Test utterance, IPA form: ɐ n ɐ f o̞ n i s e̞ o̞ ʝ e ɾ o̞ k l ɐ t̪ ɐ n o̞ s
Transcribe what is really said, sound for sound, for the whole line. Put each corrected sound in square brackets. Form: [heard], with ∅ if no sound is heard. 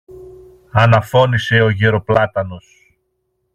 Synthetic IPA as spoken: ɐ n ɐ f o̞ n i s e̞ o̞ ʝ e ɾ o̞ [p] l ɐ t̪ ɐ n o̞ s